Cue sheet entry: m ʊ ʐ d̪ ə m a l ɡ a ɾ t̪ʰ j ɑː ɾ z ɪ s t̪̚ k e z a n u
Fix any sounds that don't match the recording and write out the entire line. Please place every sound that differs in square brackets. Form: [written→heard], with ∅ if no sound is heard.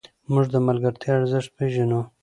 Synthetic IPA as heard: m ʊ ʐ d̪ ə m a l ɡ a ɾ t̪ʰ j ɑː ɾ z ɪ [s→ʂ] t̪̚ [k→p] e [z→ʒ] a n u